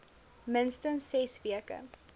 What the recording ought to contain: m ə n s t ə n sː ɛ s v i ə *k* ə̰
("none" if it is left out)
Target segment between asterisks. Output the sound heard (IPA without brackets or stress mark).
k